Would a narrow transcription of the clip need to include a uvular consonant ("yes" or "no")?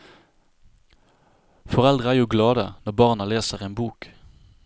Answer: yes